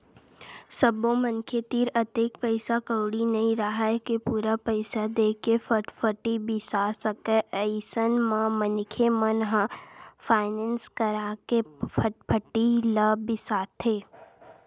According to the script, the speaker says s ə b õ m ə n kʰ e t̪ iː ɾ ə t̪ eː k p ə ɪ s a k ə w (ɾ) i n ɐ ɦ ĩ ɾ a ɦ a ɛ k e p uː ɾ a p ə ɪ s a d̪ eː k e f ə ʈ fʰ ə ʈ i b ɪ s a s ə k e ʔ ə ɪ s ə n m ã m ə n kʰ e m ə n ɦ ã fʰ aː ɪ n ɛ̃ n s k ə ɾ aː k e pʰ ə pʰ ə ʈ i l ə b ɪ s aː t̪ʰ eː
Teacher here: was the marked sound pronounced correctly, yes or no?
no